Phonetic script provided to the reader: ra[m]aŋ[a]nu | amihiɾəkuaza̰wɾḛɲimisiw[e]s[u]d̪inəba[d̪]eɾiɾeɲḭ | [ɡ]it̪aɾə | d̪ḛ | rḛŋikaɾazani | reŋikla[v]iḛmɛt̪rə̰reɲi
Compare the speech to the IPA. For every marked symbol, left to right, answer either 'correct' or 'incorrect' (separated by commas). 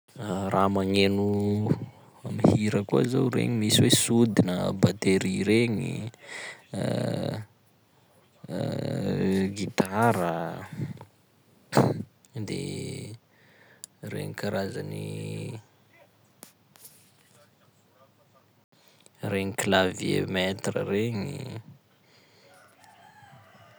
correct, incorrect, correct, correct, incorrect, correct, correct